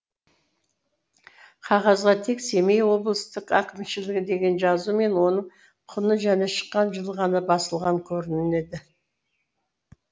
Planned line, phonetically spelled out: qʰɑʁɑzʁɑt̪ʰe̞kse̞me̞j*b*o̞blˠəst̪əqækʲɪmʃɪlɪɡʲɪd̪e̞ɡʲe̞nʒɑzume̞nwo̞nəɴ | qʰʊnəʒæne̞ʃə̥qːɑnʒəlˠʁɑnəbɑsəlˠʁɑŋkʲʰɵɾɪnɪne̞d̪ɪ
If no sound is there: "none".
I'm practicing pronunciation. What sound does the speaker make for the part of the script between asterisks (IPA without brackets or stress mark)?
w